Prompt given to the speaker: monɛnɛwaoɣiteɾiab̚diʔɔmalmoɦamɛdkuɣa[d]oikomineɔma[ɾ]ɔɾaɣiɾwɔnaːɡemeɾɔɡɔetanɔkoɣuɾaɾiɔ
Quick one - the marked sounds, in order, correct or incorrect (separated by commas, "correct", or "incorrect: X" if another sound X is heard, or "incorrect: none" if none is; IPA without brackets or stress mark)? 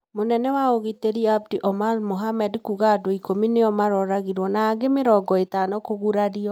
correct, correct